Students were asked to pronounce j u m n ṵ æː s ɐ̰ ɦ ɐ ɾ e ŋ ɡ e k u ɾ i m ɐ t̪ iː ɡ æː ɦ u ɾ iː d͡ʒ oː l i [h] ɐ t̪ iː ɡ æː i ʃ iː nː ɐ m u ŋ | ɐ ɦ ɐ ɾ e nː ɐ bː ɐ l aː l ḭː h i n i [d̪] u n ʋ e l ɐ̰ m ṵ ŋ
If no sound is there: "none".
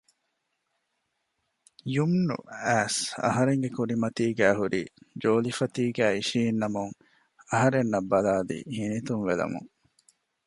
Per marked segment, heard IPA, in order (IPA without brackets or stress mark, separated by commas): f, t̪